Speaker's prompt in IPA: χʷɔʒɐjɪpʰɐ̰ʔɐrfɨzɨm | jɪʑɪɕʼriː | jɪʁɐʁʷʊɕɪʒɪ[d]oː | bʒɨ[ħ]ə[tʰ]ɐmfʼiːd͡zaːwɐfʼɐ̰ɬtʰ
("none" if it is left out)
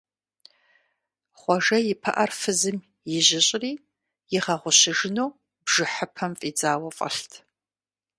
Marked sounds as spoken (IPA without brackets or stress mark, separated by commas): n, ħ, pʰ